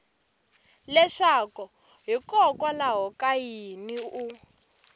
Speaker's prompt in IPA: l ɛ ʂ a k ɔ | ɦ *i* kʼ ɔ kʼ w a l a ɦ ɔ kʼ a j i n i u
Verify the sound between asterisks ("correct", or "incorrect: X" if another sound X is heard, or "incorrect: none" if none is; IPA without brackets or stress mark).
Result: correct